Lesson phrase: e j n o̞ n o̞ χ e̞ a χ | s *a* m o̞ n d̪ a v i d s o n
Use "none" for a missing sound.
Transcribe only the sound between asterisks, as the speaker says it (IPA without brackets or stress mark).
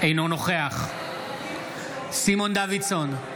i